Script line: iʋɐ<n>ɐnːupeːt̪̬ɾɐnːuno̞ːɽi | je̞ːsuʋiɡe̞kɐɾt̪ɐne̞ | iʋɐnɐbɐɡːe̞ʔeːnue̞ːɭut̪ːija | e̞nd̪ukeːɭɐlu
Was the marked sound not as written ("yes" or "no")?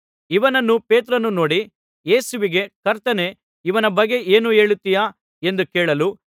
no